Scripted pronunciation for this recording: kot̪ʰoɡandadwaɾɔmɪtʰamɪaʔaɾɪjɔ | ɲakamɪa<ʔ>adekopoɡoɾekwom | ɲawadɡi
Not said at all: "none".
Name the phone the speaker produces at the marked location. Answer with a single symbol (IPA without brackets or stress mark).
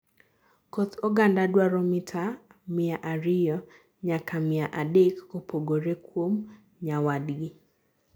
ʔ